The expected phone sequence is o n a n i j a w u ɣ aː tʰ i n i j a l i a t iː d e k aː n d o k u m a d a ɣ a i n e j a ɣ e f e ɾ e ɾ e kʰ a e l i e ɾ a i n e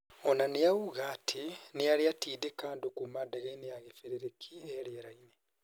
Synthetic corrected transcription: o n a n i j a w u ɣ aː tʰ i n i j a l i a t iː d e k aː n d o k u m a d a ɣ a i n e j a ɣ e f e ɾ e ɾ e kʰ i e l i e ɾ a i n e